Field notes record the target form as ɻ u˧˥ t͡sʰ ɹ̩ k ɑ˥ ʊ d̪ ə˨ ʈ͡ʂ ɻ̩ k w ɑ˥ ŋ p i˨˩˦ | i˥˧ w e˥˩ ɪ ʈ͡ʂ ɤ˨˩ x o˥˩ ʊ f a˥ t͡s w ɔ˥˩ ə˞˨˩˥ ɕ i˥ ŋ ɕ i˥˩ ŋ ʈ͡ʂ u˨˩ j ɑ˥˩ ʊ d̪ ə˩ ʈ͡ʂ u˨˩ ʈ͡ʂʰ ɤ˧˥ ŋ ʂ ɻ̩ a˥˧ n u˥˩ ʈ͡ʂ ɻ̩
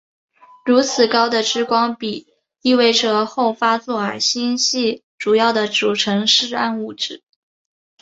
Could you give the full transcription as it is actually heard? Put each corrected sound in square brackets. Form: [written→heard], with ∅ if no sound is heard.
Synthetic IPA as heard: ɻ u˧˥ t͡sʰ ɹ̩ k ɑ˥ ʊ d̪ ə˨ ʈ͡ʂ ɻ̩ k w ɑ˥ ŋ p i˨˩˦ | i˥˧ w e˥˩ ɪ ʈ͡ʂ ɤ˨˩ x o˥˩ ʊ f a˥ t͡s w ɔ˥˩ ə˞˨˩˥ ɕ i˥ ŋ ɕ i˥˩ [ŋ→∅] ʈ͡ʂ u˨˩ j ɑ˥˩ ʊ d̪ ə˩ ʈ͡ʂ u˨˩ ʈ͡ʂʰ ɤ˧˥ ŋ ʂ ɻ̩ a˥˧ n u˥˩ ʈ͡ʂ ɻ̩